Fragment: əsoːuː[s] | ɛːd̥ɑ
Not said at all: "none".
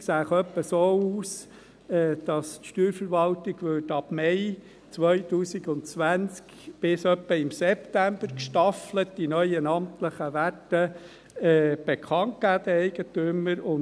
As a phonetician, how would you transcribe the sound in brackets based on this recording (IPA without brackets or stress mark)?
s